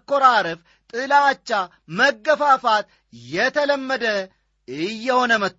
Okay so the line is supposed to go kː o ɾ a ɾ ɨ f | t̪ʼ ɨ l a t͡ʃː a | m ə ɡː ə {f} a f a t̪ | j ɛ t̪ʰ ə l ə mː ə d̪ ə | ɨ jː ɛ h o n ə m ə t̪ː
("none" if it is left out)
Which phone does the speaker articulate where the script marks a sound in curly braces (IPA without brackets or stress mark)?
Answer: f